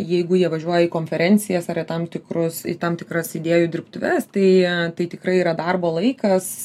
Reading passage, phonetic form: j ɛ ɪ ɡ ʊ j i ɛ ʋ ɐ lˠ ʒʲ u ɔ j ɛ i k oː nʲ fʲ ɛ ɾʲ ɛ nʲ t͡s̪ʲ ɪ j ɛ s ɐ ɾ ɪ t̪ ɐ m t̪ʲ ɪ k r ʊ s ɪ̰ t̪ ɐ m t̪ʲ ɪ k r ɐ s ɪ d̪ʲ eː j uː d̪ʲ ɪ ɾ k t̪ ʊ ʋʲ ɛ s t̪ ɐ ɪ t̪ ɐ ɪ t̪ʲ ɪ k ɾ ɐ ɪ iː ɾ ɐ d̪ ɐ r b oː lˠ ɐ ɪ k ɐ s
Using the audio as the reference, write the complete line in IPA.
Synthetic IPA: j ɛ ɪ ɡ ʊ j i ɛ ʋ ɐ ʒʲ u ɔ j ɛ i k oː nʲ fʲ ɛ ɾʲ ɛ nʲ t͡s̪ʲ ɪ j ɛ s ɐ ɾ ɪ t̪ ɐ m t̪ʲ ɪ k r ʊ s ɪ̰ t̪ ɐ m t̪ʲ ɪ k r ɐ s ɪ d̪ʲ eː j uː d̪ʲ ɪ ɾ p t̪ ʊ ʋʲ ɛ s t̪ ɐ ɪ t̪ ɐ ɪ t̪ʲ ɪ k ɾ ɐ ɪ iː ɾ ɐ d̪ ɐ r b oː lˠ ɐ ɪ k ɐ s